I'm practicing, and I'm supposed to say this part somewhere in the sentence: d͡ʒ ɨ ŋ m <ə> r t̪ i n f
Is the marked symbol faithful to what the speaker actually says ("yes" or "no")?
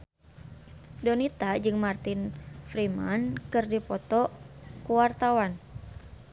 no